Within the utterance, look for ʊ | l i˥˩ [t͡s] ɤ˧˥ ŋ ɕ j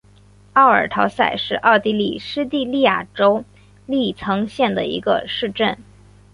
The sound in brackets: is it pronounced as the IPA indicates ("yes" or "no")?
no